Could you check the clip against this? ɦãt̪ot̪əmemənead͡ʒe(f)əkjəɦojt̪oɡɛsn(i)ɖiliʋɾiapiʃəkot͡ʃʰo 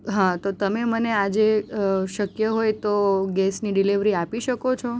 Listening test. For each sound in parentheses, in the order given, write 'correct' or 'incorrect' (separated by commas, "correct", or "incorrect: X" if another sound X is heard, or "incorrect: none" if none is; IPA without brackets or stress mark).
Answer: incorrect: ʃ, correct